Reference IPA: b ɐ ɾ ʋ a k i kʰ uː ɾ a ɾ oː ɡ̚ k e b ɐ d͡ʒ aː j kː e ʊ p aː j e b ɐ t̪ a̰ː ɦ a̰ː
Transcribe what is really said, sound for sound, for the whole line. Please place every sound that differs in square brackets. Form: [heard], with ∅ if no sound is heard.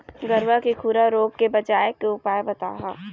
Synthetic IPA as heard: [ɡ] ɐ ɾ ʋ a k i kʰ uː ɾ a ɾ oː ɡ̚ k e b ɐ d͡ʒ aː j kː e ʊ p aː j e b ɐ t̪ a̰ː ɦ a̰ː